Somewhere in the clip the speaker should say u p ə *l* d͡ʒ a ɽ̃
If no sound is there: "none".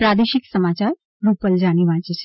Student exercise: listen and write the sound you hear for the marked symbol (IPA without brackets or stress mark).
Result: l